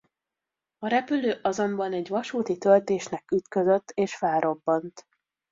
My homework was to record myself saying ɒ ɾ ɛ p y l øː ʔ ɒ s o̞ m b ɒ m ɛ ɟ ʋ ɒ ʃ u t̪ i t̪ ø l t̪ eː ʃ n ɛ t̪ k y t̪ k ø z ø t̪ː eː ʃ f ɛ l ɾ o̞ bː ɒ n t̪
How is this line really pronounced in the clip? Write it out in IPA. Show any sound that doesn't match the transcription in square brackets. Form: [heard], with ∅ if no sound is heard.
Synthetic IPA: ɒ ɾ ɛ p y l øː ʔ ɒ [z] o̞ m b ɒ [n] ɛ ɟ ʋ ɒ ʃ [uː] t̪ i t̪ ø l t̪ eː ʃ n ɛ [∅] k y t̪ k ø z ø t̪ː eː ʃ f ɛ l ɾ o̞ bː ɒ n t̪